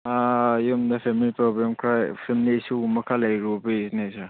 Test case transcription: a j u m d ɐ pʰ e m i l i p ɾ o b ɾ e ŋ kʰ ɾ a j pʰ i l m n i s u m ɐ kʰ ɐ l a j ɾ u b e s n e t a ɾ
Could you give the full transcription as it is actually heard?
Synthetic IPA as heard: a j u m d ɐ pʰ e m i l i p ɾ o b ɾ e m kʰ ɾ a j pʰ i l m n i s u m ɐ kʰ a l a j ɾ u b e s n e s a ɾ